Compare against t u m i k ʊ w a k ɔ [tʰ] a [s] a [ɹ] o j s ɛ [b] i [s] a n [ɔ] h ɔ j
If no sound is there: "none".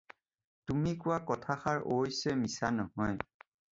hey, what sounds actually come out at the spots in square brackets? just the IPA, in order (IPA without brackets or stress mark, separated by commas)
tʰ, x, ɹ, m, s, ɔ